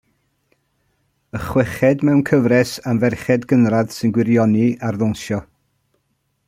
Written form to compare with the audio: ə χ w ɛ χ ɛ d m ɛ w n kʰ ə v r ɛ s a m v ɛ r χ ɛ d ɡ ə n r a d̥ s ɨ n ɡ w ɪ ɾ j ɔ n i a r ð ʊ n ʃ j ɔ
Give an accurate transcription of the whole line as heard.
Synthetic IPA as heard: ə χ w ɛ χ ɛ d m ɛ w n kʰ ə v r ɛ s a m v ɛ r χ ɛ d ɡ ə n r a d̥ s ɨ n ɡ w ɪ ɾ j ɔ n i a r ð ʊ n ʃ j ɔ